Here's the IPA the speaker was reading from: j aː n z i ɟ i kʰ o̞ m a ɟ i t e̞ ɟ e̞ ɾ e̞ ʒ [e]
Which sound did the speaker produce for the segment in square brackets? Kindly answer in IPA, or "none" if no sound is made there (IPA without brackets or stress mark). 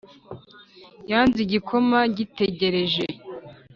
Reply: e